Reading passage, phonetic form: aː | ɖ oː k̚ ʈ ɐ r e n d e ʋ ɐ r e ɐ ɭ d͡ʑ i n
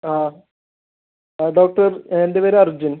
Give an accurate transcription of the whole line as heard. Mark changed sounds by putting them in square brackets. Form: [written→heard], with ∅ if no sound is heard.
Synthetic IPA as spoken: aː | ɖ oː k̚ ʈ ɐ r e n d e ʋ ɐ [r→ɾ] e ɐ [ɭ→r] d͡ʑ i n